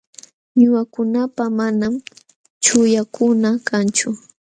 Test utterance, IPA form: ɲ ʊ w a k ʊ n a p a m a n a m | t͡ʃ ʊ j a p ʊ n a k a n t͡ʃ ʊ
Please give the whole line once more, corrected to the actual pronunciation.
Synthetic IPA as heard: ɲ ʊ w a k ʊ n a p a m a n a m | t͡ʃ ʊ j a k ʊ n a k a n t͡ʃ ʊ